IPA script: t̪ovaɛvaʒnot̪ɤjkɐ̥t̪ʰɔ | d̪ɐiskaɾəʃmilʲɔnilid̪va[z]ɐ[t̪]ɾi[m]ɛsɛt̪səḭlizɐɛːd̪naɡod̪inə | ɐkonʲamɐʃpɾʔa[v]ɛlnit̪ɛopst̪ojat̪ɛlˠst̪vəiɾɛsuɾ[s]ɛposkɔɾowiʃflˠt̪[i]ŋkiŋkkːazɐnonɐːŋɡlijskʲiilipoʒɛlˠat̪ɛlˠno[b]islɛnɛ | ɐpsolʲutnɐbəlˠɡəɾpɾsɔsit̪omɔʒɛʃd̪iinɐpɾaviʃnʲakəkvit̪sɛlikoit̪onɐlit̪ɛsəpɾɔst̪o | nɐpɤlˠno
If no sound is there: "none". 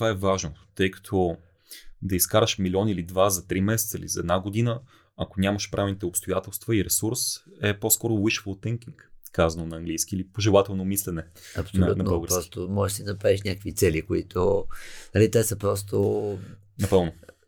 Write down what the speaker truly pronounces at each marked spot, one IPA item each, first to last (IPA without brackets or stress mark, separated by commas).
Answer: z, t̪, m, v, s, ɛ, m